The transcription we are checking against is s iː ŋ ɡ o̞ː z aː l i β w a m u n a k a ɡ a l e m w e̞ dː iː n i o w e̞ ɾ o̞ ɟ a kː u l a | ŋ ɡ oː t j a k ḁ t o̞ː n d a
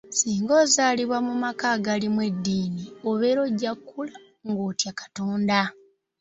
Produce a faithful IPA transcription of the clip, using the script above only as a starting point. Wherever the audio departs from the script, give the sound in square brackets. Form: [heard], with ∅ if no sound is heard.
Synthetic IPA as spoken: s iː ŋ ɡ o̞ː z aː l i β w a m u [m] a k a ɡ a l [i] m w e̞ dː iː n i o [β] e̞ ɾ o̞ ɟ a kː u l a | ŋ ɡ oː t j a k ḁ t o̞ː n d a